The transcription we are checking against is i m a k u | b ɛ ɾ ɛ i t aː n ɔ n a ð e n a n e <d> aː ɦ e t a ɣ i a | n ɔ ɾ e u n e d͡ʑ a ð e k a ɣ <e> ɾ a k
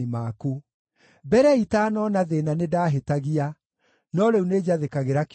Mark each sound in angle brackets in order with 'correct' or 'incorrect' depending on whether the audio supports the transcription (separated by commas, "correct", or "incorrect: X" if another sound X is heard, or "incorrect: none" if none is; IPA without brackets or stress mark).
correct, correct